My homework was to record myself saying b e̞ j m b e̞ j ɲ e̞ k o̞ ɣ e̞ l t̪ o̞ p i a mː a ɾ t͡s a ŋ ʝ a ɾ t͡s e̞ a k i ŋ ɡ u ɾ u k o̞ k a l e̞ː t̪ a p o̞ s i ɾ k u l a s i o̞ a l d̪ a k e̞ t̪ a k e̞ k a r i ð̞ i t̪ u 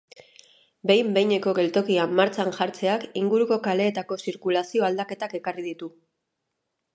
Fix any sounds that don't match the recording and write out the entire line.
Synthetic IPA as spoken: b e̞ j m b e̞ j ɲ e̞ k o̞ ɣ e̞ l t̪ o̞ k i a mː a ɾ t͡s a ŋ ʝ a ɾ t͡s e̞ a k i ŋ ɡ u ɾ u k o̞ k a l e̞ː t̪ a k o̞ s i ɾ k u l a s i o̞ a l d̪ a k e̞ t̪ a k e̞ k a r i ð̞ i t̪ u